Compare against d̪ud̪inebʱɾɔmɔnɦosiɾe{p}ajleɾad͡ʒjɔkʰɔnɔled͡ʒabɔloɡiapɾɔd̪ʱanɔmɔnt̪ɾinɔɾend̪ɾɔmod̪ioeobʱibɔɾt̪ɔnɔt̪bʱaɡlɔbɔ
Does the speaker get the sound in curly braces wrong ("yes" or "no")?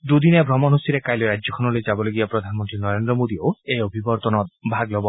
yes